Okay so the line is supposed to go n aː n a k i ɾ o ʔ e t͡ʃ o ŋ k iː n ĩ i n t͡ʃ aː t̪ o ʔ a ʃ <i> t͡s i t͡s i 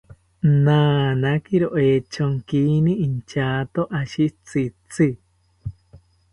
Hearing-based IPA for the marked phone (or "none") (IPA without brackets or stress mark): i